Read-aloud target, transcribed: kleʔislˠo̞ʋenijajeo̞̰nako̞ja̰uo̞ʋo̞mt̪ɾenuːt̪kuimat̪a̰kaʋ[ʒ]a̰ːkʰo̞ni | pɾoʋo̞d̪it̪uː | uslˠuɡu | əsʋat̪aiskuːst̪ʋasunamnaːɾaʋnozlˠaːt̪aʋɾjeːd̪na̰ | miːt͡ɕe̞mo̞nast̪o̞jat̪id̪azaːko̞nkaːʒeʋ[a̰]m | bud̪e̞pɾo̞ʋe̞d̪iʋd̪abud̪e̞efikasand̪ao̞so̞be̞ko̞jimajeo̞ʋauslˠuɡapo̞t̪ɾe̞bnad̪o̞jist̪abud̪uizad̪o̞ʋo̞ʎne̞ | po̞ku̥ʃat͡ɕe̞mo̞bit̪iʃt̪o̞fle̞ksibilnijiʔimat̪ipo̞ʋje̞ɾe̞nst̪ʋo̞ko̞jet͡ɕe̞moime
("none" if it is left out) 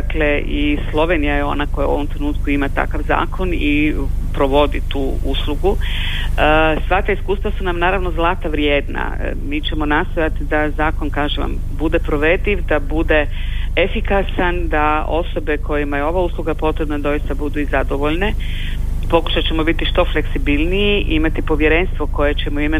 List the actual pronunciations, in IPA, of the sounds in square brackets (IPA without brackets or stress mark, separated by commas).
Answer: z, a̰